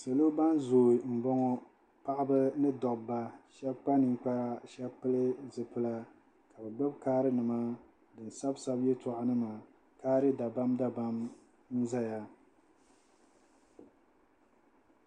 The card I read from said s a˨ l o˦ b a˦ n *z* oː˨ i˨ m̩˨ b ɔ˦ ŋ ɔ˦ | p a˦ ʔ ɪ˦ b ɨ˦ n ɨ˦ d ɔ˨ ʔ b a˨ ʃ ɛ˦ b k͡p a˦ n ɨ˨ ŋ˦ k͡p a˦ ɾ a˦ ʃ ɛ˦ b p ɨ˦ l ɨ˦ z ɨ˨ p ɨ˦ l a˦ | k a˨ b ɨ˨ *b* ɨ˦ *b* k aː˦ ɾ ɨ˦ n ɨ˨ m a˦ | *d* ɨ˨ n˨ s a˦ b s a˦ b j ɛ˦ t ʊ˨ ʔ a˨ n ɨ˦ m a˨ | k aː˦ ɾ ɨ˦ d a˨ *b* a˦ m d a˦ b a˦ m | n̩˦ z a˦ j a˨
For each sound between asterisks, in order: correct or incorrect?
correct, incorrect, correct, correct, correct

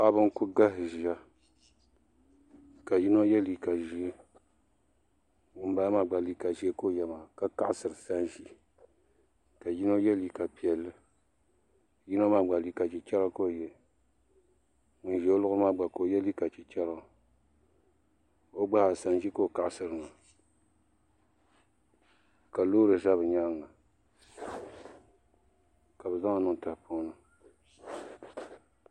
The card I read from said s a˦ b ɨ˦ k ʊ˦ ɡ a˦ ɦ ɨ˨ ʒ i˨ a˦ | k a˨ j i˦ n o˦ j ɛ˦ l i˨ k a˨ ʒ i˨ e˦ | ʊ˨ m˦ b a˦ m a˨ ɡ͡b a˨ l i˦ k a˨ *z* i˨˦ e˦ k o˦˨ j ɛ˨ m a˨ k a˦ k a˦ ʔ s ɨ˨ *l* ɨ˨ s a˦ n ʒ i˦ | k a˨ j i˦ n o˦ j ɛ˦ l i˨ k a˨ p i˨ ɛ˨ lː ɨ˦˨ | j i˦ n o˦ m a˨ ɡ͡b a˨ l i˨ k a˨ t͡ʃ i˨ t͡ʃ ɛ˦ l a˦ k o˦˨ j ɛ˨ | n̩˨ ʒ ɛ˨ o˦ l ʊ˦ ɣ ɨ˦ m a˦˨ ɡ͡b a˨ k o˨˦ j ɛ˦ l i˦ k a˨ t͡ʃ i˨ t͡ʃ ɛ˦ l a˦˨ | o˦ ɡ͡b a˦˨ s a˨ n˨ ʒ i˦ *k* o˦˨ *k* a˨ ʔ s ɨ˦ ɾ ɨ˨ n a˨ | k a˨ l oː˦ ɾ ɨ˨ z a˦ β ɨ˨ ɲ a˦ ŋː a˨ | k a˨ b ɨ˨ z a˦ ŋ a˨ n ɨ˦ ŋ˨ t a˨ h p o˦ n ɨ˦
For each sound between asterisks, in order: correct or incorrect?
incorrect, incorrect, correct, correct

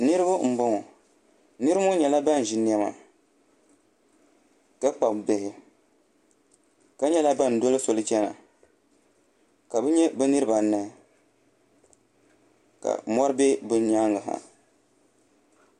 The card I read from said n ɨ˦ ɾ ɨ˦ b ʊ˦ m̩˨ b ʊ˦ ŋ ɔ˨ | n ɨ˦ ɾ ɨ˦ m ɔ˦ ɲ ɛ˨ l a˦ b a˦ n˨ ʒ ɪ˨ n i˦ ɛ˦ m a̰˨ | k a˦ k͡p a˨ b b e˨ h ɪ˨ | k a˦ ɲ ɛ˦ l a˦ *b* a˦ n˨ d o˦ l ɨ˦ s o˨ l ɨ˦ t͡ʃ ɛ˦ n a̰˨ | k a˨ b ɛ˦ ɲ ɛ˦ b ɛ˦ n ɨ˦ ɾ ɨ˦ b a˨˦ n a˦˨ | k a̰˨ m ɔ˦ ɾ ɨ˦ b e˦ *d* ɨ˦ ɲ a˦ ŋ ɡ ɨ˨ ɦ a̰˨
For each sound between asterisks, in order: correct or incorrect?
correct, incorrect

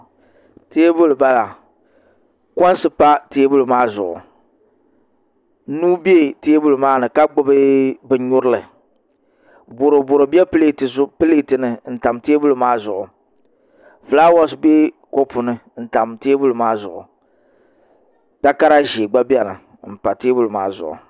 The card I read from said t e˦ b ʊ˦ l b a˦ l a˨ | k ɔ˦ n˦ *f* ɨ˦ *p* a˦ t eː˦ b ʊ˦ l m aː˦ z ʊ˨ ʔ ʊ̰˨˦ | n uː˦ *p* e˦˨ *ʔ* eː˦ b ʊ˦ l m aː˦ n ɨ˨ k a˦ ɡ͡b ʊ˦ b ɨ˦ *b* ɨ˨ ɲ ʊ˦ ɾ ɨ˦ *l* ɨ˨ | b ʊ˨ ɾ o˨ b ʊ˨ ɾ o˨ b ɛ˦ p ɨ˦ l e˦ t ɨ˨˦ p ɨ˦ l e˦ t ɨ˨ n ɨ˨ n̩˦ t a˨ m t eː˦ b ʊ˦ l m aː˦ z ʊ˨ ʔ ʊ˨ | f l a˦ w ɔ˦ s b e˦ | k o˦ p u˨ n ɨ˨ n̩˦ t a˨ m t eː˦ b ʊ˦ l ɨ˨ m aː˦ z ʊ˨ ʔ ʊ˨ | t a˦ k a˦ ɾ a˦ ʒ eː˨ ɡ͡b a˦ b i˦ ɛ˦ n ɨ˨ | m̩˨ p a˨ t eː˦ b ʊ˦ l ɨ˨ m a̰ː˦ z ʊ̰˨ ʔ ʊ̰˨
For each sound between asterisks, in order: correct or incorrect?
incorrect, correct, incorrect, incorrect, correct, correct

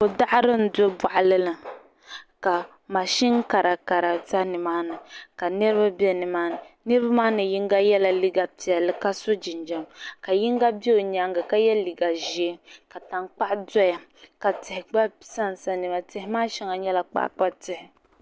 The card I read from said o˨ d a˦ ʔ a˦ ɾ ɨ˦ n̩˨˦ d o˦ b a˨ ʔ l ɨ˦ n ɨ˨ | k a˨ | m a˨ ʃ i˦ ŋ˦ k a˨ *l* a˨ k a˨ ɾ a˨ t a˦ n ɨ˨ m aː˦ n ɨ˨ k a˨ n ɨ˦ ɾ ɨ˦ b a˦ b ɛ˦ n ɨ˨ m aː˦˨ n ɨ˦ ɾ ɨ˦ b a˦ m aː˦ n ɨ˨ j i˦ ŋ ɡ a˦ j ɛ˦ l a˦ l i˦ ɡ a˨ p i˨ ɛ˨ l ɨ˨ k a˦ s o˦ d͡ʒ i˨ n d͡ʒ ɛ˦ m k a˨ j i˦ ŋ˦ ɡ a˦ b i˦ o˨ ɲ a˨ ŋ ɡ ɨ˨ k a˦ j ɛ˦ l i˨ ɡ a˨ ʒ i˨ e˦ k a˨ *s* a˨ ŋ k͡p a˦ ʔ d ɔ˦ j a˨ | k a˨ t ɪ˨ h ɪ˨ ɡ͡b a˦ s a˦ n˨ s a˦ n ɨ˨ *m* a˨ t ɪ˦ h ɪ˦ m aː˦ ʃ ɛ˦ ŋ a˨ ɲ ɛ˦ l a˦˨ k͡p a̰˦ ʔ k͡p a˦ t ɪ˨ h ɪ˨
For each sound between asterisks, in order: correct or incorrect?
incorrect, incorrect, correct

